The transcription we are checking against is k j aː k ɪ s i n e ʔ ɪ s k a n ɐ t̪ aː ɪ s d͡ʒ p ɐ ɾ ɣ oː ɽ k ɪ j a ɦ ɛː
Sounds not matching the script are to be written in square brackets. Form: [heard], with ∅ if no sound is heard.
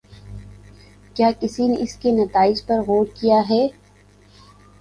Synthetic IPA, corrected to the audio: k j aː k ɪ s i n e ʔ ɪ s k [e] n ɐ t̪ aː ɪ [∅] d͡ʒ p ɐ ɾ ɣ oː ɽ k [i] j a ɦ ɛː

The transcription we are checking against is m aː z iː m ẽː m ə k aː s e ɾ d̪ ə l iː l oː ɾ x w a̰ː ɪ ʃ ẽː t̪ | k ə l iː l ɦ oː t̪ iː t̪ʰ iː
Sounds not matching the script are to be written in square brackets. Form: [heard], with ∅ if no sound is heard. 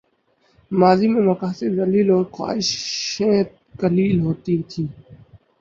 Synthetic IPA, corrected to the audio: m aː z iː m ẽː m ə k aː s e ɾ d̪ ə l iː l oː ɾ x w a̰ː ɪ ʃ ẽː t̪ | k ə l iː l ɦ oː t̪ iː t̪ʰ iː

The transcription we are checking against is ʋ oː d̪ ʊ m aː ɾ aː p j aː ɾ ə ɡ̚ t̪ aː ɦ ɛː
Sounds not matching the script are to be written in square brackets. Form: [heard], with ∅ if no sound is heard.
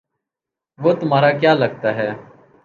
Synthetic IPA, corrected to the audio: ʋ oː [t̪] ʊ m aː ɾ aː [k] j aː [l] ə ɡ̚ t̪ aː ɦ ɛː

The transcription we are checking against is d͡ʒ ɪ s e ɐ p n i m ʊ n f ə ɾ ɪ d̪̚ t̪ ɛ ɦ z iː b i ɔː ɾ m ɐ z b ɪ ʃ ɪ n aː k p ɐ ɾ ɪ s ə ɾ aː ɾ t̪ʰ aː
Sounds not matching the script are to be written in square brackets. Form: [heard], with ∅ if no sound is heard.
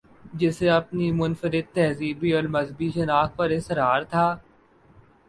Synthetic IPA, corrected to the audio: d͡ʒ ɪ s e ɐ p n i m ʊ n f ə ɾ ɪ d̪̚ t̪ ɛ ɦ z iː b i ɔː ɾ m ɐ z b [i] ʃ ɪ n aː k p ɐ ɾ ɪ s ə ɾ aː ɾ t̪ʰ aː

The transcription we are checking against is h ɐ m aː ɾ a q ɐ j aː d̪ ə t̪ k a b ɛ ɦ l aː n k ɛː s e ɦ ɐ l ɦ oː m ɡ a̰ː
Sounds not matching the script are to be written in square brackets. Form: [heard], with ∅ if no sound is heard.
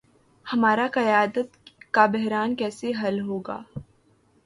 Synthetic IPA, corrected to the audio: h ɐ m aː ɾ a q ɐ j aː d̪ ə t̪ k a b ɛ ɦ [ɾ] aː n k ɛː s e ɦ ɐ l ɦ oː [∅] ɡ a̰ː

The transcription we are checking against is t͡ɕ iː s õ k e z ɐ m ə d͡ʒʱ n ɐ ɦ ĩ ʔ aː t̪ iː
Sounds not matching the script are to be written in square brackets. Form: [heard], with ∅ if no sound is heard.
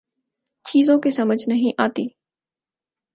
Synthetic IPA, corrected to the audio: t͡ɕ iː [z] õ k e [s] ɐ m ə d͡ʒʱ n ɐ ɦ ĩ ʔ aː t̪ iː

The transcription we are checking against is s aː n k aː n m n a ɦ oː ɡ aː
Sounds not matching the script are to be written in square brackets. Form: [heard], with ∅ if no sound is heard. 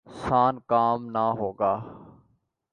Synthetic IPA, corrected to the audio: s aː n k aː [∅] m n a ɦ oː ɡ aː

